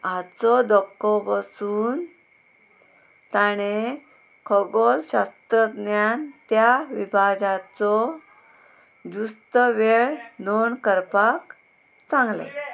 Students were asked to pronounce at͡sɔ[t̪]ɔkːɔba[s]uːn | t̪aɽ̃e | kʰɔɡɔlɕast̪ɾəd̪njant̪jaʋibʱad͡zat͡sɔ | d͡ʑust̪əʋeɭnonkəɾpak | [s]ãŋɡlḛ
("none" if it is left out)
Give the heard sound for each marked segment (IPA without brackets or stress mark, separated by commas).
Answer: d̪, s, t͡s